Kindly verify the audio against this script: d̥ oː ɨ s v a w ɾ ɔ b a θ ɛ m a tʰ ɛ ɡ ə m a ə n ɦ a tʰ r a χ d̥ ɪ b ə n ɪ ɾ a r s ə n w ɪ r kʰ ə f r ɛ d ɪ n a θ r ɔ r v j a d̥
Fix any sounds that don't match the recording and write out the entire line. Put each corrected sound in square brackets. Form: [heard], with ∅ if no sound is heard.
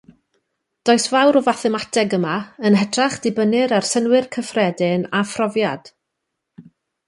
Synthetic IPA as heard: d̥ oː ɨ s v a w ɾ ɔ [v] a θ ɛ m a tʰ ɛ ɡ ə m a ə n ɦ [ɛ] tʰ r a χ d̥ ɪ b ə n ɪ ɾ a r s ə n w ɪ r kʰ ə f r ɛ d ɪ n a [f] r ɔ [∅] v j a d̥